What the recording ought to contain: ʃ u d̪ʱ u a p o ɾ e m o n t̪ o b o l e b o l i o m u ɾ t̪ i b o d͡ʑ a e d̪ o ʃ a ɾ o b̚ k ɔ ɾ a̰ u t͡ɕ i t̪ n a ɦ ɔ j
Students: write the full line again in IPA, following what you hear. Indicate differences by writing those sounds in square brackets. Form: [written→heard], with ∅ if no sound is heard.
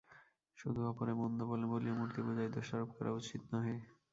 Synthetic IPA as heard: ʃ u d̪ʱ u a p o ɾ e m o n [t̪→d̪] o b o l e b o l i o m u ɾ t̪ i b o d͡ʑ a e d̪ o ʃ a ɾ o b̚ k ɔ ɾ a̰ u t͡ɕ i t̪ n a ɦ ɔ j